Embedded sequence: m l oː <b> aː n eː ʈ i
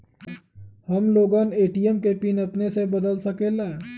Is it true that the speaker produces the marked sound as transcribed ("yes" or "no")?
no